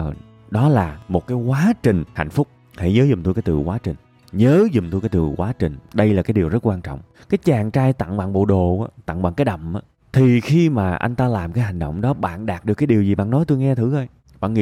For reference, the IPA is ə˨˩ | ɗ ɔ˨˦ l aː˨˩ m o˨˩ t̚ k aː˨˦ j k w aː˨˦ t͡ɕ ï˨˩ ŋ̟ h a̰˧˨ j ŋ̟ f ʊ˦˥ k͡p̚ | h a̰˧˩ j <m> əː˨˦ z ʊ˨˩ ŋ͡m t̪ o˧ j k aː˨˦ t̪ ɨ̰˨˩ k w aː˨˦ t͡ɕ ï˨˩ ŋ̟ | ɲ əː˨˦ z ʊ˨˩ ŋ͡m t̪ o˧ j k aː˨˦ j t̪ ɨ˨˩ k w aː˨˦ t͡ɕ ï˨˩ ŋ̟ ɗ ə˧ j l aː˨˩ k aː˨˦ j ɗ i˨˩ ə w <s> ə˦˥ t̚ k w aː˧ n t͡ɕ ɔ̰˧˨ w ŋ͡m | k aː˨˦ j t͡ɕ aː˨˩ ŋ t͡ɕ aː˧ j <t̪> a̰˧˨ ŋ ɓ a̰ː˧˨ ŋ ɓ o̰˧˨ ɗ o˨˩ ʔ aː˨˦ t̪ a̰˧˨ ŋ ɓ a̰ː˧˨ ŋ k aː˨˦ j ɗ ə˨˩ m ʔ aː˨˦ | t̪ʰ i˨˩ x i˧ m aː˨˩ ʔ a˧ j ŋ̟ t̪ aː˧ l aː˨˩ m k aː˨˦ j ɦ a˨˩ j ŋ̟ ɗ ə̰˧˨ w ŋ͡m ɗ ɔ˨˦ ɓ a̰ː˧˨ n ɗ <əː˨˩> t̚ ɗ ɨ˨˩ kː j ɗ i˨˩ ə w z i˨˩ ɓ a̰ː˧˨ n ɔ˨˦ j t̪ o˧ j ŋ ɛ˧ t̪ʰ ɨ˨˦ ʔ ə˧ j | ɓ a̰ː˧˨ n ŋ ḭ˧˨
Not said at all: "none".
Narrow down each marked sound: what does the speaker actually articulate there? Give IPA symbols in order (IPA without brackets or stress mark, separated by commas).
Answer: ɲ, z, t̪, aː˨˩